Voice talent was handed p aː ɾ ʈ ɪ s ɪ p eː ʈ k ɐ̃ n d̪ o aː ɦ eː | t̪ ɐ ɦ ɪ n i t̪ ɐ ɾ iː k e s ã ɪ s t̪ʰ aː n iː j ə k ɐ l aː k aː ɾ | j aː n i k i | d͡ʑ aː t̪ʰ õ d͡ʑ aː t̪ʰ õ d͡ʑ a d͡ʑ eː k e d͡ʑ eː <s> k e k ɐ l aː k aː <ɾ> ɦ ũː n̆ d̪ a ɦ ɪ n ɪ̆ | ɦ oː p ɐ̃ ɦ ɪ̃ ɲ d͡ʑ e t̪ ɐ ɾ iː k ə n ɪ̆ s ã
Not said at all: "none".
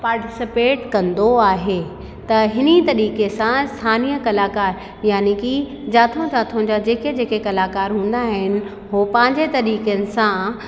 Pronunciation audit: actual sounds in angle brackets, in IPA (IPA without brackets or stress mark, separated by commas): none, ɾ